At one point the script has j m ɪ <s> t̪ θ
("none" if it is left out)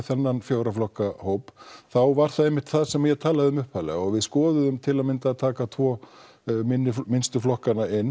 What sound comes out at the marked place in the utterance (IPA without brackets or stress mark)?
h